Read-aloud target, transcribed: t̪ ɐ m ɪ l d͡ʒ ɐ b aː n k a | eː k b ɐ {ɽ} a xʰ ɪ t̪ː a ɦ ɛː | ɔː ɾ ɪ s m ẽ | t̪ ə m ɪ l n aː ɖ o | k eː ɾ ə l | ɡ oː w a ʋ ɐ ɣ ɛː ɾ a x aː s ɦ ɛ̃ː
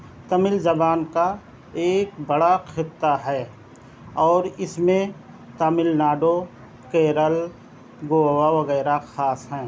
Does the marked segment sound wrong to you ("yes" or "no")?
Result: no